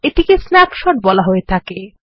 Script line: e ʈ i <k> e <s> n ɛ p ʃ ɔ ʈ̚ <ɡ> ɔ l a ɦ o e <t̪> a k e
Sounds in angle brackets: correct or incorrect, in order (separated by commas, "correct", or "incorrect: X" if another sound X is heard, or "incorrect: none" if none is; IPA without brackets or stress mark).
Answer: correct, correct, incorrect: b, incorrect: t̪ʰ